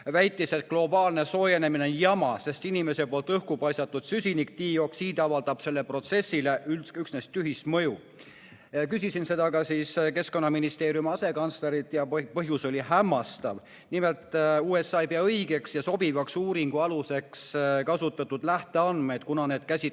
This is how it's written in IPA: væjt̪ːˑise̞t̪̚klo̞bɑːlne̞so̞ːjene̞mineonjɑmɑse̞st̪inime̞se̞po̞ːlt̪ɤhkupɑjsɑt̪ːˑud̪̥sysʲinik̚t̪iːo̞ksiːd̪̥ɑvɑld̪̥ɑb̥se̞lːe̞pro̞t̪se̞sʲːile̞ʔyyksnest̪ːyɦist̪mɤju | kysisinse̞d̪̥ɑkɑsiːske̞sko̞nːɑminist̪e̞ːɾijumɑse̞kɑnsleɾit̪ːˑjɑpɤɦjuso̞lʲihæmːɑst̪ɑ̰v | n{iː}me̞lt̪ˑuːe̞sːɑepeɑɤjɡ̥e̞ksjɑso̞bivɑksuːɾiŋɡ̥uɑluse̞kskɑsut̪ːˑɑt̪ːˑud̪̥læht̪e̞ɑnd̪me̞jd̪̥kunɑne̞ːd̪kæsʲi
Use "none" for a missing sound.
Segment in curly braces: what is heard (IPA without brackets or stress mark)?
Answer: i